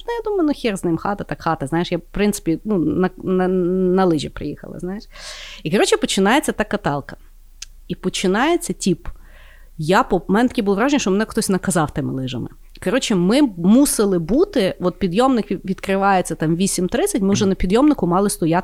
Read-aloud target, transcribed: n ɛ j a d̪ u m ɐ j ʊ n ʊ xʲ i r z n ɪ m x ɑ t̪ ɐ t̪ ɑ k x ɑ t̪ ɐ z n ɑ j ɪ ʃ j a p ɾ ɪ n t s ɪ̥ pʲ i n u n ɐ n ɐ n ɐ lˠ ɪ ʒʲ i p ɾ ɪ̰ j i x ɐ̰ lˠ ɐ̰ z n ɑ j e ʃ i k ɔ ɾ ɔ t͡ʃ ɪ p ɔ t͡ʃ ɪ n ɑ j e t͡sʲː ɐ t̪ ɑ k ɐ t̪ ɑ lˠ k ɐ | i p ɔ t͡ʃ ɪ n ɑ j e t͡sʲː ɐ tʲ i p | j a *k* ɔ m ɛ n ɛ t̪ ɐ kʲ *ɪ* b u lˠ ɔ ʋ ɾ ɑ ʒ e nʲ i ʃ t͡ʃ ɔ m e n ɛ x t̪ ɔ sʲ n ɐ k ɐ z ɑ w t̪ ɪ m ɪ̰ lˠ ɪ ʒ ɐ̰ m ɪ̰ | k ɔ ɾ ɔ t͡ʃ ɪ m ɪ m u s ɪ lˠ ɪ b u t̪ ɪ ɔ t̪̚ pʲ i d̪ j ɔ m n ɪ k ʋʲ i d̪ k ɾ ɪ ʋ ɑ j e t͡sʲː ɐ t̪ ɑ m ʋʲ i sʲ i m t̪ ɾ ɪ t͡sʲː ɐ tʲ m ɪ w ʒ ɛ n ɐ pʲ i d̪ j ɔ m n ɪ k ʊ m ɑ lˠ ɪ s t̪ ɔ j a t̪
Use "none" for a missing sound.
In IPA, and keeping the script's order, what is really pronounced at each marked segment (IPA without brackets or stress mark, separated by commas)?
p, i